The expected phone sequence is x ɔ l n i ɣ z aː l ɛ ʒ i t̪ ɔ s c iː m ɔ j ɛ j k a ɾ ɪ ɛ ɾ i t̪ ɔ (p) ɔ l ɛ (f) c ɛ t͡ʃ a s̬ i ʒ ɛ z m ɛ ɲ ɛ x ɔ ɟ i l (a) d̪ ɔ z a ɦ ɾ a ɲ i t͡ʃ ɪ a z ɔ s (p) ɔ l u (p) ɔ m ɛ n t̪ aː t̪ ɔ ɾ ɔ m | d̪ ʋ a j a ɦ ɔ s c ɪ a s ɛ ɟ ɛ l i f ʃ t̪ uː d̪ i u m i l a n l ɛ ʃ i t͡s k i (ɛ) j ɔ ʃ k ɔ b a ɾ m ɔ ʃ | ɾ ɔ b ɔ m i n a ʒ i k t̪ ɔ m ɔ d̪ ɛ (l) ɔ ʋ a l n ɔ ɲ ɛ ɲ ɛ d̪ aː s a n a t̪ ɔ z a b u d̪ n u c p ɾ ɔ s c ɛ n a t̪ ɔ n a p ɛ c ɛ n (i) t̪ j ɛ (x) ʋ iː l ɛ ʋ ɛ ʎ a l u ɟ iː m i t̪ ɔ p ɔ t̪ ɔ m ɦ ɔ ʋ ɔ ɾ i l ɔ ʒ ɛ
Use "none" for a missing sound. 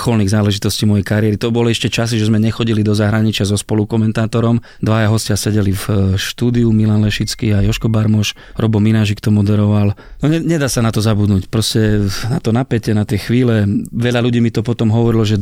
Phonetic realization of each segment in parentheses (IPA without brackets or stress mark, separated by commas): b, ʃ, i, p, k, a, ɾ, a, x